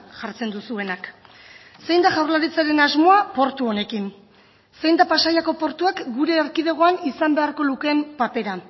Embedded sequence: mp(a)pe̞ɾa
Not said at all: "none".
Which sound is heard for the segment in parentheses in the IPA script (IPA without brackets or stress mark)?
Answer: a